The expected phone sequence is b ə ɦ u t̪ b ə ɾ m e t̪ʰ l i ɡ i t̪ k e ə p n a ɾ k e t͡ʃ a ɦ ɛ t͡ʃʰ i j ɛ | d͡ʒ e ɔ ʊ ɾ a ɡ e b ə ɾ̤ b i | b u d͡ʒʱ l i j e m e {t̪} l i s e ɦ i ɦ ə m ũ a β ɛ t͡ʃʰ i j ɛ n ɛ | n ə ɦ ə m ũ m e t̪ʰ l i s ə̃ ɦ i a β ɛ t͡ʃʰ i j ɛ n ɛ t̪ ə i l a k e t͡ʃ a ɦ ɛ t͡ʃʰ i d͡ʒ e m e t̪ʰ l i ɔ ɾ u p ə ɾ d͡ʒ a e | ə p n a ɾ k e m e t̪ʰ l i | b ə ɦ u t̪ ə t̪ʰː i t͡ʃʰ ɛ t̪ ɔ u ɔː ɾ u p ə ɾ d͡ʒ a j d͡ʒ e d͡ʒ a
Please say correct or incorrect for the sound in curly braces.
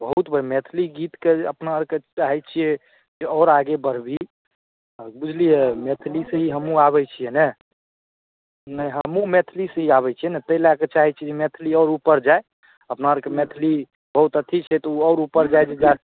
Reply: incorrect